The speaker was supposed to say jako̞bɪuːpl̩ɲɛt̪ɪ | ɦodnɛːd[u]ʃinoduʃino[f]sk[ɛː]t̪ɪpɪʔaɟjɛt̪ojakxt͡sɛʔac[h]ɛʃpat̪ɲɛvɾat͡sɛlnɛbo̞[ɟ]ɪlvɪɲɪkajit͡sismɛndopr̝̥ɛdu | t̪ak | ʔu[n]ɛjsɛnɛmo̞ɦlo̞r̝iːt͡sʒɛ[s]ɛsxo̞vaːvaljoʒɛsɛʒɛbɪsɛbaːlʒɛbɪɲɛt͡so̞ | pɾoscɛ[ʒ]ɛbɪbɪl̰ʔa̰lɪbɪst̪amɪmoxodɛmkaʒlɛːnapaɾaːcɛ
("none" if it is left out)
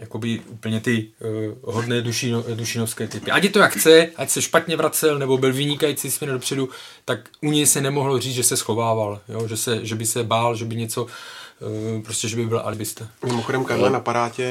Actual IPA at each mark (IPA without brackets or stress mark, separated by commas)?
u, f, ɛː, s, b, ɲ, s, ʒ